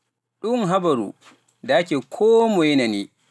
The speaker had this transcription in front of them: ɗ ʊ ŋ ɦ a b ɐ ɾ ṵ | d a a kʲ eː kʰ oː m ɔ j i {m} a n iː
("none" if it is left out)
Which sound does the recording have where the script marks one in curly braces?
n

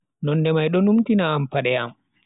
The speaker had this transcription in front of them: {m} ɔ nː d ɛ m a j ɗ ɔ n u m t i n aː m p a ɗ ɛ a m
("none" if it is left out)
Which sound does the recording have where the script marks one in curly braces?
n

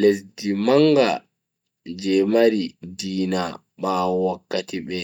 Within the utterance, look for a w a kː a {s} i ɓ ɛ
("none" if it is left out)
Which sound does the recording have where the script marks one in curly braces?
t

